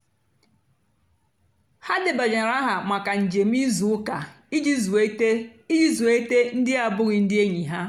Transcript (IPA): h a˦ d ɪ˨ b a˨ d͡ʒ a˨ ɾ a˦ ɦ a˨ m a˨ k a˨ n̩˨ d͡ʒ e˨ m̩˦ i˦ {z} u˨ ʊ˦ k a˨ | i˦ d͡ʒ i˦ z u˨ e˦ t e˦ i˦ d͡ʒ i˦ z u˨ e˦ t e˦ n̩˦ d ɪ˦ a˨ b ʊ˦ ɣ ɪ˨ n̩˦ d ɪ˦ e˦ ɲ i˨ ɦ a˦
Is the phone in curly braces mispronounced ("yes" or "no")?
no